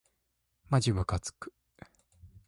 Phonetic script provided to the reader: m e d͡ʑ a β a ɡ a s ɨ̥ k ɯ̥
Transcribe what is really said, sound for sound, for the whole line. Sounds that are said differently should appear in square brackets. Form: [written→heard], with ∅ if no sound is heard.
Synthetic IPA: m [e→a] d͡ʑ [a→i] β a [ɡ→k] a [s→t͡s] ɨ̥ k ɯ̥